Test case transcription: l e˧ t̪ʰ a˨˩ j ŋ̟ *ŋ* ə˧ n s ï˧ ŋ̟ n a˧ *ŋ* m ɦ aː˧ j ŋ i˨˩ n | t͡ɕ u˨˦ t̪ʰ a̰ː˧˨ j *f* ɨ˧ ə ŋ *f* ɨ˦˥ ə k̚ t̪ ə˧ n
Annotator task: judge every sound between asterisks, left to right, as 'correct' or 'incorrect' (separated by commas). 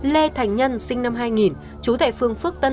incorrect, incorrect, correct, correct